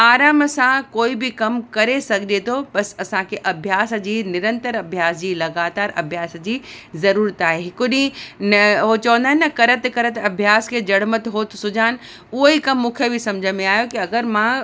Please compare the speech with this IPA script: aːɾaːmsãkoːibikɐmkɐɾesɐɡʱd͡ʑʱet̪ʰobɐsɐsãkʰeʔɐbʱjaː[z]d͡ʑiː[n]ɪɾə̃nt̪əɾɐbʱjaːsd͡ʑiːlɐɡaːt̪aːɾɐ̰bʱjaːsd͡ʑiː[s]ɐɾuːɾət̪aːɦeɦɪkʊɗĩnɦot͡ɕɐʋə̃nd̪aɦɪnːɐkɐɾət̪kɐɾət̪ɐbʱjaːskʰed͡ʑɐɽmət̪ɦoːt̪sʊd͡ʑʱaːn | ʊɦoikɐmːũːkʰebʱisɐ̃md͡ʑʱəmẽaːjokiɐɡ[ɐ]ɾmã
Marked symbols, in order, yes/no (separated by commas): no, yes, no, no